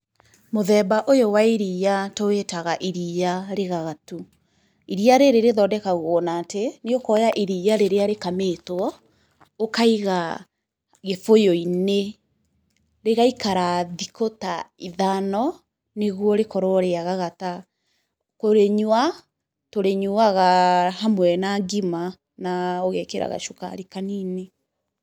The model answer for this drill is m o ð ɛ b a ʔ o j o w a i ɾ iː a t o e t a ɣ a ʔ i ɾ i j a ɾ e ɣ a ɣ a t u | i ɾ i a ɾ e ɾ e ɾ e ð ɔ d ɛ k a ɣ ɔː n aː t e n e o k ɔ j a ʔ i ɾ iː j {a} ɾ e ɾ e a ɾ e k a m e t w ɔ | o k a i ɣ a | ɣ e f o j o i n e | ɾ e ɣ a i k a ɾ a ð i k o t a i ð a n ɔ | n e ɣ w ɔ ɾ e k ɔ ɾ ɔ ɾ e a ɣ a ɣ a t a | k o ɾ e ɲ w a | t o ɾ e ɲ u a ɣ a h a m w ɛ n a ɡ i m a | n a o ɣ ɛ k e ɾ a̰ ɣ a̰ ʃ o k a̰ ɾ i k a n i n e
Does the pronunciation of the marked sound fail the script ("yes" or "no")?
no